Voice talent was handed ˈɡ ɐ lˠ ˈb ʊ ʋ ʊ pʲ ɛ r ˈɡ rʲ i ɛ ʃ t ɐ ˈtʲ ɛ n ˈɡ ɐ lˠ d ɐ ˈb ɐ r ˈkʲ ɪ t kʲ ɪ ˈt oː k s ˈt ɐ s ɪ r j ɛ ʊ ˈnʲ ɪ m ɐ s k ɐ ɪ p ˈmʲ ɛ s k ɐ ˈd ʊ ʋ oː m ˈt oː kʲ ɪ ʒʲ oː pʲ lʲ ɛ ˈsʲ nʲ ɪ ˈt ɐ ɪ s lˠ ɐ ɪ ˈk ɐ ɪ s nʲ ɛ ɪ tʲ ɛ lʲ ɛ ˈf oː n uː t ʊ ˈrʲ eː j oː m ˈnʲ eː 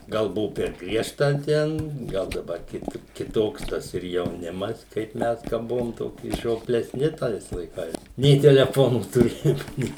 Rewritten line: ˈɡ ɐ lˠ ˈb ʊ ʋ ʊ pʲ ɛ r ˈɡ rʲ i ɛ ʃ t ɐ ˈtʲ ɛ n ˈɡ ɐ lˠ d ɐ ˈb ɐ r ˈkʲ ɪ t kʲ ɪ ˈt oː k s ˈt ɐ s ɪ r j ɛ ʊ ˈnʲ ɪ m ɐ s k ɐ ɪ p ˈmʲ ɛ s k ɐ ˈb ʊ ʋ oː m ˈt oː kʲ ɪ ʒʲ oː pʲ lʲ ɛ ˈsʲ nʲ ɪ ˈt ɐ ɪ s lˠ ɐ ɪ ˈk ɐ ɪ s nʲ ɛ ɪ tʲ ɛ lʲ ɛ ˈf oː n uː t ʊ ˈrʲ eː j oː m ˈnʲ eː